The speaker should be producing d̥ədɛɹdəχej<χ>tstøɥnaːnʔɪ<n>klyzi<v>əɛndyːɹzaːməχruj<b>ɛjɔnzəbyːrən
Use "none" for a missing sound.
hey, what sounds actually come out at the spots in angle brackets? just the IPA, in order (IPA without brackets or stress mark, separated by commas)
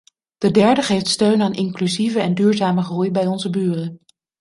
f, ŋ, v, b